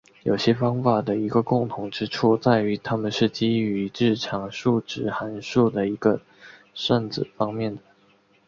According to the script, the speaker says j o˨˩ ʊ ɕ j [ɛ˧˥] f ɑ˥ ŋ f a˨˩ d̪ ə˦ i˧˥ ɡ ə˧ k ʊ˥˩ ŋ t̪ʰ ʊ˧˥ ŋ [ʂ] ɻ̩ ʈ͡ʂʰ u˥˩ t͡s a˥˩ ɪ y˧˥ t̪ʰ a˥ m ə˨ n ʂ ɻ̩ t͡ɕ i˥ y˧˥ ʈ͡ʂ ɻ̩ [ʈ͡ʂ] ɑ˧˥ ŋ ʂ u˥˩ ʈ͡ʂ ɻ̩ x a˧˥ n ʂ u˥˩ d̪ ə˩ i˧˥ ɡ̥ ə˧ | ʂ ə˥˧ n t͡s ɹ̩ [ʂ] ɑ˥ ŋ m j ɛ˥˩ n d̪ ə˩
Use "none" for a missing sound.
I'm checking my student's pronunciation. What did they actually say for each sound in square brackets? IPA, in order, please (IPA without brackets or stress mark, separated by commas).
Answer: ɛ˥, ʈ͡ʂ, ʈ͡ʂʰ, f